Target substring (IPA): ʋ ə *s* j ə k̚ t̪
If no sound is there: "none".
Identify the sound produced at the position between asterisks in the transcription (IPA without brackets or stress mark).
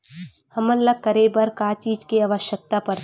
ʃ